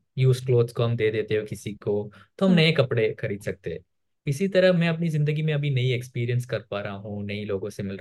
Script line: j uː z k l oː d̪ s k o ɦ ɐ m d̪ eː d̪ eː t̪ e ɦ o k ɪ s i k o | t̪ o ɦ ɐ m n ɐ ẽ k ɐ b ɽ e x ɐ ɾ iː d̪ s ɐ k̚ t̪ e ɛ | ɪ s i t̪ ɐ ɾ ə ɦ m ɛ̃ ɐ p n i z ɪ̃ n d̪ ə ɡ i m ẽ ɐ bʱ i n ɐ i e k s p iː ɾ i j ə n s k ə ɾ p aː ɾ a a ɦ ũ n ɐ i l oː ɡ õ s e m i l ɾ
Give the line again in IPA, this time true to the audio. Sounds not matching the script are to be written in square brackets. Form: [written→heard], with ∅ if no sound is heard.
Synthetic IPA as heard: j uː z k l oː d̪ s k o ɦ ɐ m d̪ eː d̪ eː t̪ e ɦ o k ɪ s i k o | t̪ o ɦ ɐ m n ɐ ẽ k ɐ [b→p] ɽ e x ɐ ɾ iː d̪ s ɐ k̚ t̪ e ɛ | ɪ s i t̪ ɐ ɾ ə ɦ m ɛ̃ ɐ p n i z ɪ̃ n d̪ ə ɡ i m ẽ ɐ bʱ i n ɐ i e k s p iː ɾ i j ə n s k [ə→ɐ] ɾ p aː ɾ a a ɦ ũ n ɐ i l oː ɡ õ s e m [i→ɪ] l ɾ